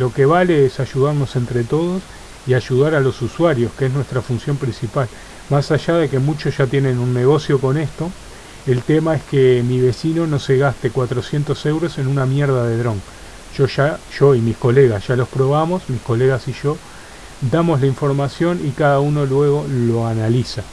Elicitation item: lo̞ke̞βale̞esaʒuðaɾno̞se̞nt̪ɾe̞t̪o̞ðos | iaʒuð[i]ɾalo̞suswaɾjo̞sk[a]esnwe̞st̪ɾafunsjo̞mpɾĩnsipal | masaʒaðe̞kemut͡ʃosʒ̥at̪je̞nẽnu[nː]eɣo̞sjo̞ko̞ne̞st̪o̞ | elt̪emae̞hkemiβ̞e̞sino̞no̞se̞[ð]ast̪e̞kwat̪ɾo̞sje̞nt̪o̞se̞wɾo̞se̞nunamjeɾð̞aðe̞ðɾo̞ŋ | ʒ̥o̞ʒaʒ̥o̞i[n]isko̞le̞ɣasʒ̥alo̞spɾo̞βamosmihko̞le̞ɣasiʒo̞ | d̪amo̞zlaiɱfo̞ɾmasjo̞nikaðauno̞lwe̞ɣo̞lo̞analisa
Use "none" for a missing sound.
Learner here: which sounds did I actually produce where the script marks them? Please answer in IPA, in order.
a, e, nː, ɣ, m

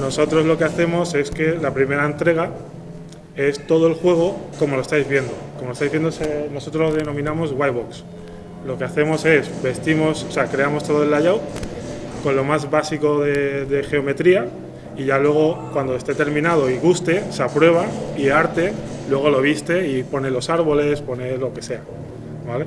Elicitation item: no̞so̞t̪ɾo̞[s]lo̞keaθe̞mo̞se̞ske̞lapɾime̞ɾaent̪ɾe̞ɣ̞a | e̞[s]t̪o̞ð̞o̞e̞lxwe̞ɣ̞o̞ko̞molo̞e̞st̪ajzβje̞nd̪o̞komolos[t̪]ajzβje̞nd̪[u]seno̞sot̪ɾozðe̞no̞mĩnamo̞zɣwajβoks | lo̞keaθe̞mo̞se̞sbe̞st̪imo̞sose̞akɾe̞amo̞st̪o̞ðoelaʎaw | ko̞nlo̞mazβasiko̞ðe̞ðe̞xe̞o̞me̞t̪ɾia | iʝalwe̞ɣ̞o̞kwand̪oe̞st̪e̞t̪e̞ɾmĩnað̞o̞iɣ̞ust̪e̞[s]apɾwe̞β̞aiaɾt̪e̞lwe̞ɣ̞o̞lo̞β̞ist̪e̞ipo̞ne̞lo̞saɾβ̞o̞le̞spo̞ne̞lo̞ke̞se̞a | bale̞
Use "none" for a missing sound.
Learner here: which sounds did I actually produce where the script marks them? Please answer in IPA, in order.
z, s, t̪, o, s

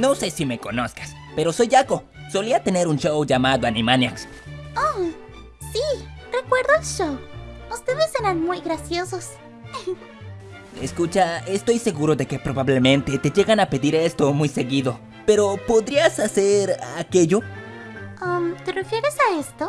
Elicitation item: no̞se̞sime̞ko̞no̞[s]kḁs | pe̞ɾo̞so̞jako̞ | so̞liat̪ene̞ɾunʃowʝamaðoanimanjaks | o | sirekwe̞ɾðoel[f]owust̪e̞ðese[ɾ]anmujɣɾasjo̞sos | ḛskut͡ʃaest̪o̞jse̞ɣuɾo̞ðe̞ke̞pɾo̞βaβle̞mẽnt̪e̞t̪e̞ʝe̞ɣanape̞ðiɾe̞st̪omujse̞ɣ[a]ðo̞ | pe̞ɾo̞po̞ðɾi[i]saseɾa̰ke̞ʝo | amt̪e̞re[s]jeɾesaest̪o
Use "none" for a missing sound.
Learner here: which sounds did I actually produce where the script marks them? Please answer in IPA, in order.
s, ʃ, ɾ, i, a, f

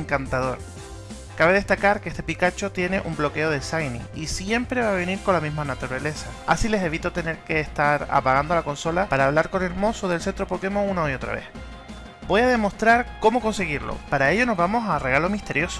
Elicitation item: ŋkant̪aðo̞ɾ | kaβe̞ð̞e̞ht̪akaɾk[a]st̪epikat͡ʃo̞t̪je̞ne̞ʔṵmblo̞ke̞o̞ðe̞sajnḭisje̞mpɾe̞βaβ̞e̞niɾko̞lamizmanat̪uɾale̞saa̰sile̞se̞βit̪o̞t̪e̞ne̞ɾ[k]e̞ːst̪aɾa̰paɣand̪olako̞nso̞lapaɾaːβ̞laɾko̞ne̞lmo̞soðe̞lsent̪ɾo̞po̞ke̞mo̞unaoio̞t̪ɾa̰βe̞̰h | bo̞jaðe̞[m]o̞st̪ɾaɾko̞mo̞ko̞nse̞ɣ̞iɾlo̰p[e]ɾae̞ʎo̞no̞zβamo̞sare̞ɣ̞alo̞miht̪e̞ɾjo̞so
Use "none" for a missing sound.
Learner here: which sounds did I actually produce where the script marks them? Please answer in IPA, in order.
e, k, m, a

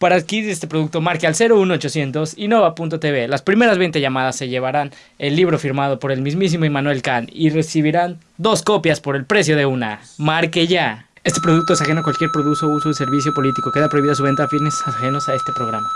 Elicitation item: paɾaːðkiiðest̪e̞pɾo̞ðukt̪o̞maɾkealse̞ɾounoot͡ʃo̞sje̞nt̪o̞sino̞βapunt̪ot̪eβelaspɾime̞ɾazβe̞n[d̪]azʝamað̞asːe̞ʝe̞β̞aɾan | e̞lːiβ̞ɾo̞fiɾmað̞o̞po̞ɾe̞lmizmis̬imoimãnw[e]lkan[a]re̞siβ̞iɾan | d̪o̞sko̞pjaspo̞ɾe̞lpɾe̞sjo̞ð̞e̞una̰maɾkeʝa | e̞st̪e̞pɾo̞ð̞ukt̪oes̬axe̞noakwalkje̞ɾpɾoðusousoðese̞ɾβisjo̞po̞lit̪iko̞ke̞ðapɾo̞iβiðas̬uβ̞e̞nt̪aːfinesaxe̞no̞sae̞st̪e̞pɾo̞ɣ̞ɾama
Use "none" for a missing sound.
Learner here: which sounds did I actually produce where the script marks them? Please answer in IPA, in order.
t̪, e, i

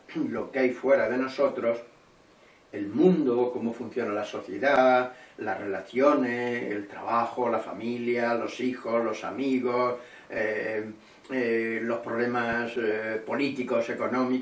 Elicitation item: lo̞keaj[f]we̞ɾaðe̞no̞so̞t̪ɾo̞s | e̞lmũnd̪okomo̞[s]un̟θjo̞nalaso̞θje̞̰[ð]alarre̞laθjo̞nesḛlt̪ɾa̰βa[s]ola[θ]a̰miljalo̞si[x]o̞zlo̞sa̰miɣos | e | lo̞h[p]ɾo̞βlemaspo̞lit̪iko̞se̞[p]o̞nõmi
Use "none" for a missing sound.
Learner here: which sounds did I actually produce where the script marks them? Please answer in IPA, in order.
f, f, ð, x, f, x, p, k

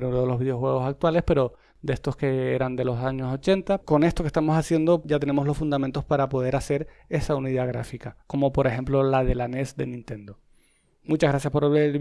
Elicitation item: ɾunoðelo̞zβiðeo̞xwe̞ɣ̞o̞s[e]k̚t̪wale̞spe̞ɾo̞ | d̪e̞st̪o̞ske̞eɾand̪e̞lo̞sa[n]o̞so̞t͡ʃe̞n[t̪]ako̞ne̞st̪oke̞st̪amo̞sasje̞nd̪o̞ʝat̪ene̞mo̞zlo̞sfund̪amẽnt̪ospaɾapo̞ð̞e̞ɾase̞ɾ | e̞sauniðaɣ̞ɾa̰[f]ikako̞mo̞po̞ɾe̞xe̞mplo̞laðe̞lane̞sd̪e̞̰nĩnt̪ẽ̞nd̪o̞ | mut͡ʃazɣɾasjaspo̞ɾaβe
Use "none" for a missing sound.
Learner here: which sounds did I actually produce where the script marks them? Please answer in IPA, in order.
a, ɲ, t̪, f

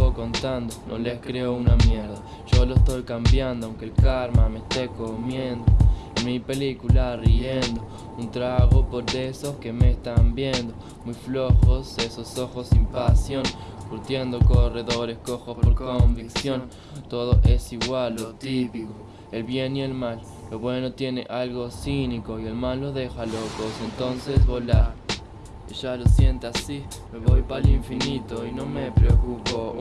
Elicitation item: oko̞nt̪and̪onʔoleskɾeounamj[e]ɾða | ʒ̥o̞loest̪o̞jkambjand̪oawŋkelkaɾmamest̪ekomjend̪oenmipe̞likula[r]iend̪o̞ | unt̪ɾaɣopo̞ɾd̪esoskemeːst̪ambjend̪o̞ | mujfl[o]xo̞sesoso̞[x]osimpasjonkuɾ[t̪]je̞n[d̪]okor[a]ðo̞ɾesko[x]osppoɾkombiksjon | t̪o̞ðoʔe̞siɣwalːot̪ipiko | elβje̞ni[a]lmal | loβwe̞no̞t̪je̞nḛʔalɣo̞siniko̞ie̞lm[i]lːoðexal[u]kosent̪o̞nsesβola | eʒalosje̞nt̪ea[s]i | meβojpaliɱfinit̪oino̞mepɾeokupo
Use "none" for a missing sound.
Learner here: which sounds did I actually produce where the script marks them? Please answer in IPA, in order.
e, r, o, x, t̪, d̪, e, x, e, a, o, s

